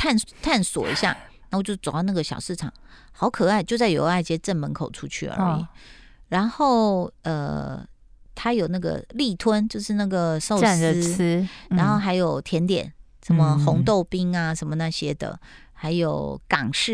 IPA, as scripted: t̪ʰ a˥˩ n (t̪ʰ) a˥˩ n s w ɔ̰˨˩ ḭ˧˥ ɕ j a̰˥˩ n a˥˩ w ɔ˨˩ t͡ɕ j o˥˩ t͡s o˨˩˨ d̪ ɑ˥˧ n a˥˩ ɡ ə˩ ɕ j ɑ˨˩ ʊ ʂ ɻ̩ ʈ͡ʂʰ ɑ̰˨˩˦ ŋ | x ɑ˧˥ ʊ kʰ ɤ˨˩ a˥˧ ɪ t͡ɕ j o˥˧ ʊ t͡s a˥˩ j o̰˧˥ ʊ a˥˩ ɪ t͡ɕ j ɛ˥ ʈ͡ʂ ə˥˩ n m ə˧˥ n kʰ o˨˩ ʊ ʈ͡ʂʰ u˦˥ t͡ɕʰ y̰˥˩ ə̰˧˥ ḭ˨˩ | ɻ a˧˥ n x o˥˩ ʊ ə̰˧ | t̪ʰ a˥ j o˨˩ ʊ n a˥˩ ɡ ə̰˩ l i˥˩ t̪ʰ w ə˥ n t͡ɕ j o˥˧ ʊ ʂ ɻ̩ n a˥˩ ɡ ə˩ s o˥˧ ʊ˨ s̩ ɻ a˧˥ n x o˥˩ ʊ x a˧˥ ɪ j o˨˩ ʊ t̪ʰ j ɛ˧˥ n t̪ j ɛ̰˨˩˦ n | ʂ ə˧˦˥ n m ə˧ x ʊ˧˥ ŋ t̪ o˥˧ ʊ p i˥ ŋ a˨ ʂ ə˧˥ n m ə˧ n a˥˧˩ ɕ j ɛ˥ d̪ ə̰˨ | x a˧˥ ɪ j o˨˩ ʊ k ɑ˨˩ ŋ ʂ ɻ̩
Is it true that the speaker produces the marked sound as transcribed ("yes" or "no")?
yes